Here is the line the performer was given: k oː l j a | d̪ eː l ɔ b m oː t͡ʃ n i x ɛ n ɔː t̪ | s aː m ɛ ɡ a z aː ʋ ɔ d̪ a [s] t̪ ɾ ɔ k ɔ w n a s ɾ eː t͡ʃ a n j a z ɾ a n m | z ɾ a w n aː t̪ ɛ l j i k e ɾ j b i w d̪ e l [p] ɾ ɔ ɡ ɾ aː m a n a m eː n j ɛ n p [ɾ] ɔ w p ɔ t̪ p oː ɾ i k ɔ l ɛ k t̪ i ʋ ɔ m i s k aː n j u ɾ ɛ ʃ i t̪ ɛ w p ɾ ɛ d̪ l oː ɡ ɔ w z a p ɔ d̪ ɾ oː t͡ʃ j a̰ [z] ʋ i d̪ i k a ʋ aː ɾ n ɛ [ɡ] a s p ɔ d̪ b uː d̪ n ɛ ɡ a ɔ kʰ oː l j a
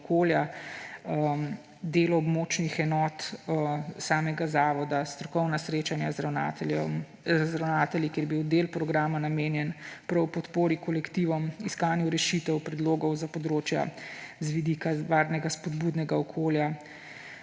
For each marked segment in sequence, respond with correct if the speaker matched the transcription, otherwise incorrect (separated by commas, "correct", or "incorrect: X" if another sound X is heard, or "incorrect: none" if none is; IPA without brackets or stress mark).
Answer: correct, correct, correct, correct, correct